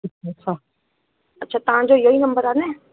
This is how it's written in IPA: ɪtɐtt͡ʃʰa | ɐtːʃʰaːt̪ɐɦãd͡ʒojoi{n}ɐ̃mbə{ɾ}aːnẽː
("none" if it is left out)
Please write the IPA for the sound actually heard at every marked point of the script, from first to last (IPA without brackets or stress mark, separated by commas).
n, ɾ